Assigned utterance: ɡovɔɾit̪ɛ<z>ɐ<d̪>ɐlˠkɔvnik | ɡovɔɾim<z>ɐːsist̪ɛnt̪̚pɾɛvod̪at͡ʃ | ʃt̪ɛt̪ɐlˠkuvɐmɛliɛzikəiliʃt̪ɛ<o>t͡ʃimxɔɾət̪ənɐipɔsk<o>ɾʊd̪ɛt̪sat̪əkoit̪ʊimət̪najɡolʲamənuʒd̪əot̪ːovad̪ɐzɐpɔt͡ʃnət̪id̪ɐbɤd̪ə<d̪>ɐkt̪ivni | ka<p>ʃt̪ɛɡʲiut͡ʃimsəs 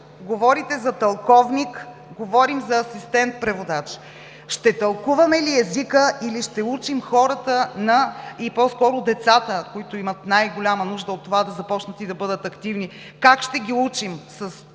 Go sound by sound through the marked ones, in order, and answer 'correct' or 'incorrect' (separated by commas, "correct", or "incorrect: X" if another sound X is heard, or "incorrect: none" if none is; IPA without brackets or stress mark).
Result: correct, incorrect: t̪, correct, incorrect: u, incorrect: ɔ, incorrect: t̪, incorrect: k